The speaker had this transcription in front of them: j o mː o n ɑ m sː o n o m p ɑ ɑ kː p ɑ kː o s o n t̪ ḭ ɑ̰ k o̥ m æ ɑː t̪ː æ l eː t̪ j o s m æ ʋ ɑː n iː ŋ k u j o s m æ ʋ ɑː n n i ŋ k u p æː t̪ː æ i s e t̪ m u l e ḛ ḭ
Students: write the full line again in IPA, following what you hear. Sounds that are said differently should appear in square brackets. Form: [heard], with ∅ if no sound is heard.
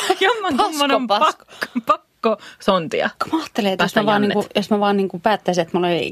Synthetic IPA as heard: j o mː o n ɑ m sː o n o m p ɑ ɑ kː p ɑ kː o s o n t̪ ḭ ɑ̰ k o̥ m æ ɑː t̪ː [e] l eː t̪ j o s m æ ʋ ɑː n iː ŋ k u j o s m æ ʋ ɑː n n i ŋ k u p æː t̪ː æ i s e t̪ m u l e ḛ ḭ